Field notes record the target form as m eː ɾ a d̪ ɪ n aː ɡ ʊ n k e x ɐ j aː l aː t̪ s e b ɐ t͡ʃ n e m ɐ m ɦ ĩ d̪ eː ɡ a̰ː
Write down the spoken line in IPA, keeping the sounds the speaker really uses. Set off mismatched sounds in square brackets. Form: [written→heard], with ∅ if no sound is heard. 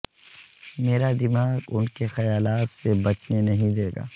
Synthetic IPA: m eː ɾ a d̪ ɪ [n→m] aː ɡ ʊ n k e x ɐ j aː l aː t̪ s e b ɐ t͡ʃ n e [m→n] ɐ [m→∅] ɦ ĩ d̪ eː ɡ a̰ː